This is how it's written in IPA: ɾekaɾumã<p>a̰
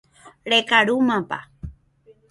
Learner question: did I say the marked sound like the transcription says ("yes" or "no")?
yes